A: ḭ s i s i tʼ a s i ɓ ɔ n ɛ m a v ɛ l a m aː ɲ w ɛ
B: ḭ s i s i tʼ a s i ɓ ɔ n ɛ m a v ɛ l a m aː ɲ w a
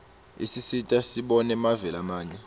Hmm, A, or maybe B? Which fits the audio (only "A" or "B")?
A